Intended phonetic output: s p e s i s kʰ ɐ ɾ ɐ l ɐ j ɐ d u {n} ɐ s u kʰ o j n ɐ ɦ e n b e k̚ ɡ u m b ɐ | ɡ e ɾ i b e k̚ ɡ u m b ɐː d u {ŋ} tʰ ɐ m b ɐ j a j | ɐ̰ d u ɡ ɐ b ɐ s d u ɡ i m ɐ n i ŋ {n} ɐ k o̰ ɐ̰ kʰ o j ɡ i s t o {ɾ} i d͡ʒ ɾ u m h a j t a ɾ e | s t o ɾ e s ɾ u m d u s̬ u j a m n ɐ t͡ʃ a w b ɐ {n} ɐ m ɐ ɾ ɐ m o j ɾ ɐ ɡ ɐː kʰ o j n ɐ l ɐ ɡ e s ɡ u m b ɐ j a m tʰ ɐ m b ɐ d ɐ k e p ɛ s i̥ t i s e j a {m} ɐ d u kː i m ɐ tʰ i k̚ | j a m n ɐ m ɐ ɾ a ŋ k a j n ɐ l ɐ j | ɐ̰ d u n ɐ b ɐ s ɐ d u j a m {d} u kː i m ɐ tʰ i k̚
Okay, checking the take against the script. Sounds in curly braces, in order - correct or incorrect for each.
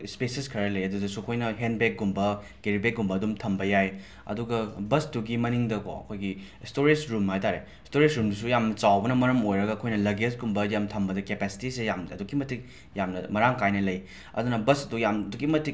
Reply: incorrect: d, incorrect: m, incorrect: d, correct, correct, correct, correct

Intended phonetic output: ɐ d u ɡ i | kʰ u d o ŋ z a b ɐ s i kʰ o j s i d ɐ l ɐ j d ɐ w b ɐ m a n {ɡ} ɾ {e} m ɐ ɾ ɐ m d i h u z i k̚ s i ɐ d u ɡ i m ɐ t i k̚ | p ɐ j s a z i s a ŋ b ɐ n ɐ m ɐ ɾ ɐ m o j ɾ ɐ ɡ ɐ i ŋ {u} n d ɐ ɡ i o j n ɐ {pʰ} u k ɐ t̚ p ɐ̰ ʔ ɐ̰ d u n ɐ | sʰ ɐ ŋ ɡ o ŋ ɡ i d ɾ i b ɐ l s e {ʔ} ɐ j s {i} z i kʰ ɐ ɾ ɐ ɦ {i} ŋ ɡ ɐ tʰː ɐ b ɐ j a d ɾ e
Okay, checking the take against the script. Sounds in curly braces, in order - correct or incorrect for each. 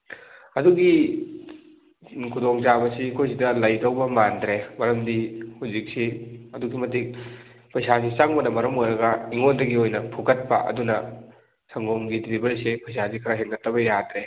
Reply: incorrect: d, correct, incorrect: o, correct, incorrect: p, incorrect: a, incorrect: e

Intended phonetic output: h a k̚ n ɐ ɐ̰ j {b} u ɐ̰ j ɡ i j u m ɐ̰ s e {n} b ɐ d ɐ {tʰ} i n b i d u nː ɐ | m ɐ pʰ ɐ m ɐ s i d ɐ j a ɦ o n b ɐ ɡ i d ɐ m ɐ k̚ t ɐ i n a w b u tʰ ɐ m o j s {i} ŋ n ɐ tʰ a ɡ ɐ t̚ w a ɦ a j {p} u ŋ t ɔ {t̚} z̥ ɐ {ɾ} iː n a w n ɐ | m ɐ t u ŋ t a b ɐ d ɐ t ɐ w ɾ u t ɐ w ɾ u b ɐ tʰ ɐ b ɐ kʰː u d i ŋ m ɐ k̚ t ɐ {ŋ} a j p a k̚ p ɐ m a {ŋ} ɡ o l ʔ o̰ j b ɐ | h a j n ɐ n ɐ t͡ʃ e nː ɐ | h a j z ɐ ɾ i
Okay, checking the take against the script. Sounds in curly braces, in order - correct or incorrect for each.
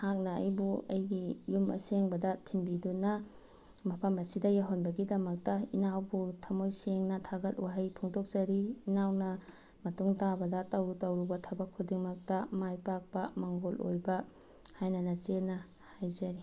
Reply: correct, incorrect: ŋ, correct, incorrect: e, incorrect: pʰ, incorrect: k̚, correct, incorrect: m, correct

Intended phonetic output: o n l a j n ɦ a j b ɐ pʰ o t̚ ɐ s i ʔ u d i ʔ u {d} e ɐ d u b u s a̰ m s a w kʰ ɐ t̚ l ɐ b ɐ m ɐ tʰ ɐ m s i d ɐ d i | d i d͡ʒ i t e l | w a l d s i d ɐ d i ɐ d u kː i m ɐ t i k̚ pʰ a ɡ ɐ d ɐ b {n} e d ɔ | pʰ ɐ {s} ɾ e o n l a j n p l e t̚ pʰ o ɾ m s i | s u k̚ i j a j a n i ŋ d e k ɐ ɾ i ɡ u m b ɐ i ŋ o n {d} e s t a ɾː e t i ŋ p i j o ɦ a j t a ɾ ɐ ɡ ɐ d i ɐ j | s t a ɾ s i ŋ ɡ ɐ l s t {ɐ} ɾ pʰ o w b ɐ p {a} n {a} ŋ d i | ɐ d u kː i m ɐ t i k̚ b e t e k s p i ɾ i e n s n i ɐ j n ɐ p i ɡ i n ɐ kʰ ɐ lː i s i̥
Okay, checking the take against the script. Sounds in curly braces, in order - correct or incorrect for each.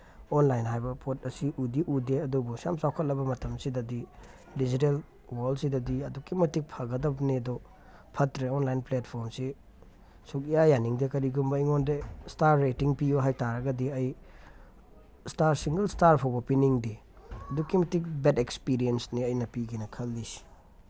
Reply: correct, correct, incorrect: t, correct, incorrect: a, incorrect: i, incorrect: i

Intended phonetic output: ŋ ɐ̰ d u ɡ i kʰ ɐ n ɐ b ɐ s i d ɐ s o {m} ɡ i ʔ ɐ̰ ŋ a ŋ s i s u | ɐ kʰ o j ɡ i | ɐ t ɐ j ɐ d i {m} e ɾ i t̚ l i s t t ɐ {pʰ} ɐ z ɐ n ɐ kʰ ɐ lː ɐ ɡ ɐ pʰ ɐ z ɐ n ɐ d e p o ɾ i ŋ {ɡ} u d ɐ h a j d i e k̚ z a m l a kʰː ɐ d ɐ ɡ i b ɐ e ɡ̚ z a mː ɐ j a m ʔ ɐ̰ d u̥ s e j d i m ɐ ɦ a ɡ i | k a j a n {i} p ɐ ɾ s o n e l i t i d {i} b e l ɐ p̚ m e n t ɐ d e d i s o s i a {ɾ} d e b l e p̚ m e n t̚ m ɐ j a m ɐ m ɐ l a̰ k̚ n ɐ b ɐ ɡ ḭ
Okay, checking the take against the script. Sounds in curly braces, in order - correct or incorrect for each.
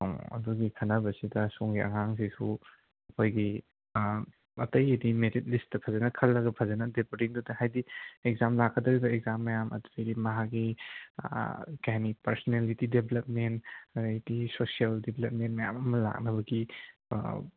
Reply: incorrect: ŋ, correct, correct, incorrect: d, correct, incorrect: e, incorrect: l

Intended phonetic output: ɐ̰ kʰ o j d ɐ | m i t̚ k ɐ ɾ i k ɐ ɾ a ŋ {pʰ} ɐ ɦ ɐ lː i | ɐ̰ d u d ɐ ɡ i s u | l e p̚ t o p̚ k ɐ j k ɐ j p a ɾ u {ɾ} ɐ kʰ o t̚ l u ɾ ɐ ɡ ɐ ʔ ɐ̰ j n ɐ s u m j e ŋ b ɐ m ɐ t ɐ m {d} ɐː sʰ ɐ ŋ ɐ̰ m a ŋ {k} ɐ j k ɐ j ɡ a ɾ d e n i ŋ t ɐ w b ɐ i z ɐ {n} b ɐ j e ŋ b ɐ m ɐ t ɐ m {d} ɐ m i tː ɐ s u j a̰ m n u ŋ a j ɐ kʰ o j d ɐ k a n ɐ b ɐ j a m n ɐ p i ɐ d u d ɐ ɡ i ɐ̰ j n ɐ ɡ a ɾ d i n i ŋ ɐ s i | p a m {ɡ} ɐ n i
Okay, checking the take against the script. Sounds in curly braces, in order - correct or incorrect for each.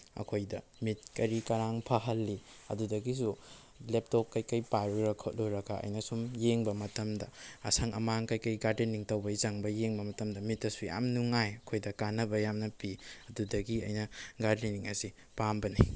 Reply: correct, correct, correct, correct, incorrect: ŋ, correct, incorrect: b

